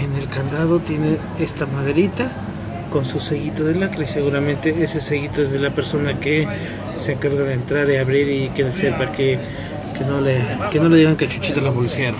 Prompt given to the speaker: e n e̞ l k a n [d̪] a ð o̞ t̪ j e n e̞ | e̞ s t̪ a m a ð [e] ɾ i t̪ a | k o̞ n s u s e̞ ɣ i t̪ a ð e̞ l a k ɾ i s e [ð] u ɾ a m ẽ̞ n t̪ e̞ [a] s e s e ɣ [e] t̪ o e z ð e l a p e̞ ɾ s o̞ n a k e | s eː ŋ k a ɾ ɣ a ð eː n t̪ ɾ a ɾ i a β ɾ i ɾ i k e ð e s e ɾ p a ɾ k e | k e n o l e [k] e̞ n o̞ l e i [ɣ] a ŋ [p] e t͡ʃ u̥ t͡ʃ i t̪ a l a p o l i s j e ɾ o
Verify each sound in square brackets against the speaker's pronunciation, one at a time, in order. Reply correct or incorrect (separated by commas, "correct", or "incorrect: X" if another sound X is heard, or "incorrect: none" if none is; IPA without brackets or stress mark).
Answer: correct, correct, incorrect: ɣ, incorrect: e, incorrect: i, correct, correct, incorrect: k